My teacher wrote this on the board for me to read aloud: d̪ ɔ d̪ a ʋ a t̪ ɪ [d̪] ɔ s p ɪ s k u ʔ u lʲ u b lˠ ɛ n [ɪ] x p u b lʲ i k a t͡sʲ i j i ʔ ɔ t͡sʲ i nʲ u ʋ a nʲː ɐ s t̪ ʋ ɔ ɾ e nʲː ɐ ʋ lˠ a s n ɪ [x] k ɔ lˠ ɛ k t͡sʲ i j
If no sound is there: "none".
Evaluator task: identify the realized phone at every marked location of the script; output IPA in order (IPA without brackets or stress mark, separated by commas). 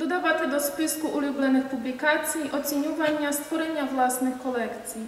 d̪, ɪ, x